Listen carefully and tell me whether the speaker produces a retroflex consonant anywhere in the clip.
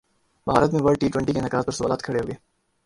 yes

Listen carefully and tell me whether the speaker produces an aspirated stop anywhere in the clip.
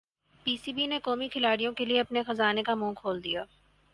yes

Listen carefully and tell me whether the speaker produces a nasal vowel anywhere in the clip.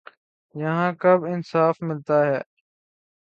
yes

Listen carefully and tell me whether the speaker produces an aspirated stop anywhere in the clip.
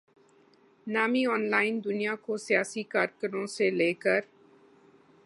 no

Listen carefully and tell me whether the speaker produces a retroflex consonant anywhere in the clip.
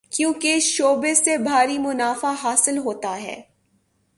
no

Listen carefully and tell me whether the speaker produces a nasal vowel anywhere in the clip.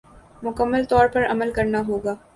no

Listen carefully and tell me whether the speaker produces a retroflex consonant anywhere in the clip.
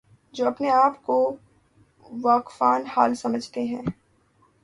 no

